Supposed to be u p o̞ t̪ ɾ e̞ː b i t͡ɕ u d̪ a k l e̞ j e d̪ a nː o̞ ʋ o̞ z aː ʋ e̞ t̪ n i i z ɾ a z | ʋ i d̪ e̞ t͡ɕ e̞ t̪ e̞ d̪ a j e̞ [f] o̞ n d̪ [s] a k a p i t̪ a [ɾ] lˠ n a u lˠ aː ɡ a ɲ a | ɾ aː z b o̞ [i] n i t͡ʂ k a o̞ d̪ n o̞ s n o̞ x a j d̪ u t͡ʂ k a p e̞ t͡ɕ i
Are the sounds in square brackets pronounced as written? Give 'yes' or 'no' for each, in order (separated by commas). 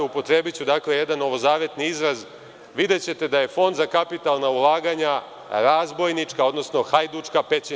yes, no, no, no